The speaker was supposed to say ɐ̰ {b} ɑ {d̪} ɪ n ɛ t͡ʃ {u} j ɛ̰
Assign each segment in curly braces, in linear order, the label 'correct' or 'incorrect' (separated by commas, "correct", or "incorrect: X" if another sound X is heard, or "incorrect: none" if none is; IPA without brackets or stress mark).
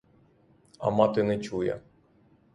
incorrect: m, incorrect: t̪, correct